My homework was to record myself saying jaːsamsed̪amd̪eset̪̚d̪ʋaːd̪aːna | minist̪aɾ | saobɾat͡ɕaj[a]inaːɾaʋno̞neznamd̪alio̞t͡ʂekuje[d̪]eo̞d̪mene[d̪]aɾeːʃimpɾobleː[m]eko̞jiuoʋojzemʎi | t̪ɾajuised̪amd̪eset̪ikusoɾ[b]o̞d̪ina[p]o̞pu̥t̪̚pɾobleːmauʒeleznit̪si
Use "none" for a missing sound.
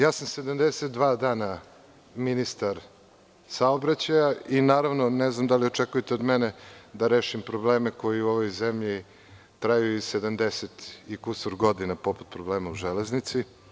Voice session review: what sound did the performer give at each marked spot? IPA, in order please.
a, t̪, d̪, m, ɡ, p

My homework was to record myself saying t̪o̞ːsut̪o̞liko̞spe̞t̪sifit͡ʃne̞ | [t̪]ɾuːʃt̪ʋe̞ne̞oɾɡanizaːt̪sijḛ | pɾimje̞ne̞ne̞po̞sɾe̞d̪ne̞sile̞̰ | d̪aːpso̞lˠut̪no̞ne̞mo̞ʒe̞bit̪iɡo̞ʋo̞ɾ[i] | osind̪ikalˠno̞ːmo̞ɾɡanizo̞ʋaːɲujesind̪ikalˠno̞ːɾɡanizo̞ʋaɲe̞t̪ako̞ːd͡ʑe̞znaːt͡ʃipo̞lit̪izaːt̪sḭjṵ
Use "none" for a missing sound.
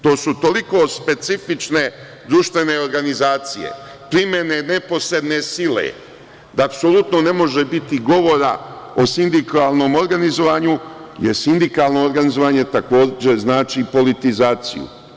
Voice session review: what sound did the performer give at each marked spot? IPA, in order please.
d̪, a

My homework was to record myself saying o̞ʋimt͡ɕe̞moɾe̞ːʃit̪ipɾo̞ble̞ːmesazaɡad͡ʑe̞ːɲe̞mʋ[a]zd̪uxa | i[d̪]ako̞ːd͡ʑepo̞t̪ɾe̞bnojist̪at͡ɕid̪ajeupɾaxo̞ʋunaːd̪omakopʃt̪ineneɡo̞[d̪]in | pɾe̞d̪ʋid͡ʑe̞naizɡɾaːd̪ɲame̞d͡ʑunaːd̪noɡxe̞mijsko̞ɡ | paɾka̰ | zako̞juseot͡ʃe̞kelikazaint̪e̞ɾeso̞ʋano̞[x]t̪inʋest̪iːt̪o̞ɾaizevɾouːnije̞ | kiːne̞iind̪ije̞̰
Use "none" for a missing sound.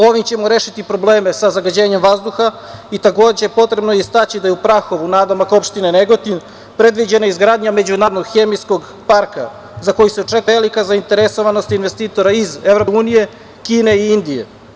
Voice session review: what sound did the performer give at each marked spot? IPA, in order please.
a, t̪, t̪, s

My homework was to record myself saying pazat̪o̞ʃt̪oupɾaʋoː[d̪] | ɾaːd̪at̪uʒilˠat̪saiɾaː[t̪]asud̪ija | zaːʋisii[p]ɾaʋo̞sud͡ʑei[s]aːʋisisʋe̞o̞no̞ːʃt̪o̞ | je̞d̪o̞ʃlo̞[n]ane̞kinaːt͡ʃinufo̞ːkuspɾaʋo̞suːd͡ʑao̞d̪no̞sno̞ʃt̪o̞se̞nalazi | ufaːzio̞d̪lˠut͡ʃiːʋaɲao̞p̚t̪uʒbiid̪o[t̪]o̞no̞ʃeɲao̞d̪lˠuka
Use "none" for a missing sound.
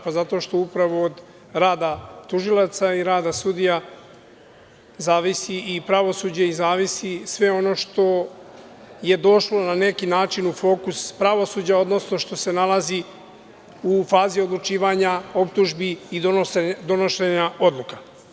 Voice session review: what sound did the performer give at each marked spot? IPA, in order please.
d̪, d̪, p, z, n, d̪

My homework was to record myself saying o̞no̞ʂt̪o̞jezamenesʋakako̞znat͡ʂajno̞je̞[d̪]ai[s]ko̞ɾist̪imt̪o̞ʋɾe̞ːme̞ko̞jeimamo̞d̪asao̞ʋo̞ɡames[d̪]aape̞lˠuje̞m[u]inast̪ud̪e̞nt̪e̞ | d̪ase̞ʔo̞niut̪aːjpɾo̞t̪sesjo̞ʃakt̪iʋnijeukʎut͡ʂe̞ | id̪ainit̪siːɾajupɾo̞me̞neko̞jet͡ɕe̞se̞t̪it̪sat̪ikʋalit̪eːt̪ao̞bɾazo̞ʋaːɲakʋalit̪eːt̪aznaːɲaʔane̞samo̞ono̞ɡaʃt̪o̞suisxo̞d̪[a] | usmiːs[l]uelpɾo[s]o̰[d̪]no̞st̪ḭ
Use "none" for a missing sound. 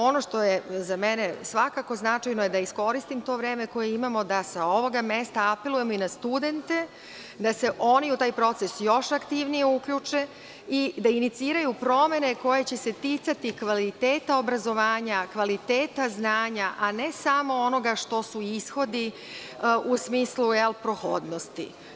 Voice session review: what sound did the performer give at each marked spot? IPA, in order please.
d̪, s, t̪, o, i, l, x, d̪

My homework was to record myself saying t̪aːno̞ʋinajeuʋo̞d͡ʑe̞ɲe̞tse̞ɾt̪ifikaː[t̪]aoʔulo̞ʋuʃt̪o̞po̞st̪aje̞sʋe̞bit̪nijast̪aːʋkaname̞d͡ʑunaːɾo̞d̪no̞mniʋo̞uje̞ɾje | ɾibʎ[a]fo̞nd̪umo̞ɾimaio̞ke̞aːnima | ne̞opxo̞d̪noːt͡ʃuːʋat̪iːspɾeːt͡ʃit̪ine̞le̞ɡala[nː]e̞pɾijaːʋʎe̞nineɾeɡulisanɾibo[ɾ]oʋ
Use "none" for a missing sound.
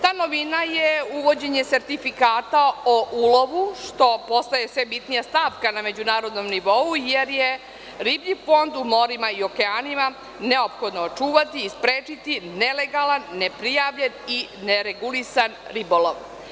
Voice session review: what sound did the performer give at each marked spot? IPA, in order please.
t̪, i, nː, l

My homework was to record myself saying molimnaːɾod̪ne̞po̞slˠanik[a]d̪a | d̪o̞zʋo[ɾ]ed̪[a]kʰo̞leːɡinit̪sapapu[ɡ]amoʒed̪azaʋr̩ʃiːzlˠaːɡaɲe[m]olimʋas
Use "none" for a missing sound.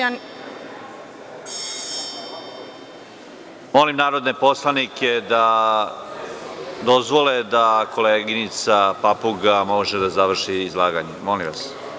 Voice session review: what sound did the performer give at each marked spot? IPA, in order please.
e, l, a, ɡ, m

